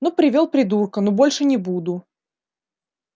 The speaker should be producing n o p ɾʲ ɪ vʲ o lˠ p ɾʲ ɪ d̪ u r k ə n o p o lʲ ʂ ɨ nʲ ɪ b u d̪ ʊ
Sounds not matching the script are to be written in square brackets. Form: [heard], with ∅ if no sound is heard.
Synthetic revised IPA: n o p ɾʲ ɪ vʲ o lˠ p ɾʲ ɪ d̪ u r k ə n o [b] o lʲ ʂ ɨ nʲ ɪ b u d̪ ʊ